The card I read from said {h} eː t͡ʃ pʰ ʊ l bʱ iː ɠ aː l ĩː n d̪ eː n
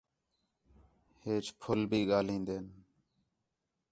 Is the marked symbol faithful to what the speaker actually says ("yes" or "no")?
yes